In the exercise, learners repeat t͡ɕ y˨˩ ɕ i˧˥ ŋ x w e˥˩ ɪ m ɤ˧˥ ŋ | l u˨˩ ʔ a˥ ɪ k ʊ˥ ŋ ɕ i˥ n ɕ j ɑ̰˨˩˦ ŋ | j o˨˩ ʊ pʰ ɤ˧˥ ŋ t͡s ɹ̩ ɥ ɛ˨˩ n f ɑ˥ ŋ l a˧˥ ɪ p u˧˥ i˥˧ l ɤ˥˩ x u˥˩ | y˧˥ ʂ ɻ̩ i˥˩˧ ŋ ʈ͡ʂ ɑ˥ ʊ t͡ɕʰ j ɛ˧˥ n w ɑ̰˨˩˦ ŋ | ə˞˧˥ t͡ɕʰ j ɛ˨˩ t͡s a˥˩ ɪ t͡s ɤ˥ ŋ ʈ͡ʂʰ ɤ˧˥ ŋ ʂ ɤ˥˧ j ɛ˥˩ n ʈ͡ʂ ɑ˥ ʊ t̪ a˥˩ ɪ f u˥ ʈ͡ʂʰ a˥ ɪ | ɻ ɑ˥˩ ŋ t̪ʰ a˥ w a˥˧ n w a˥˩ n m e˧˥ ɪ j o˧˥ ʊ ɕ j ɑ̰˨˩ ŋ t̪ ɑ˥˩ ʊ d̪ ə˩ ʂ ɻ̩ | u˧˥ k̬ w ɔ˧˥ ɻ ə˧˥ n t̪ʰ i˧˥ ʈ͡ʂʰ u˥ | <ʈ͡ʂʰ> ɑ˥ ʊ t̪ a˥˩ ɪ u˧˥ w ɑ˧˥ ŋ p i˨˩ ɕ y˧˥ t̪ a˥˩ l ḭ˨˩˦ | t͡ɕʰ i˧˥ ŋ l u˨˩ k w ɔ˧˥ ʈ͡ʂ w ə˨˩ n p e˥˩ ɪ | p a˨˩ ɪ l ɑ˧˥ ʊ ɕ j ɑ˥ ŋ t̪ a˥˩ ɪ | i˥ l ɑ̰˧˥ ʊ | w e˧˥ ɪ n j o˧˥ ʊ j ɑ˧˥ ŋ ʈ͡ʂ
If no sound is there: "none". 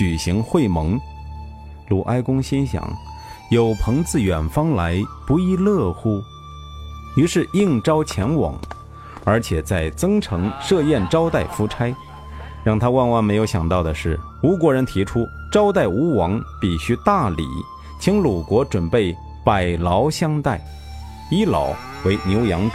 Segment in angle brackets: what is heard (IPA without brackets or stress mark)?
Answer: ʈ͡ʂ